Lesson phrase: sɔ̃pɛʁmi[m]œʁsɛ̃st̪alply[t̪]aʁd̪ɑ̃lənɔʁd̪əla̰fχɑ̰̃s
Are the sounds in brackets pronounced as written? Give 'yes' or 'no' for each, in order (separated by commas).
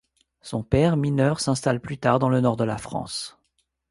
no, yes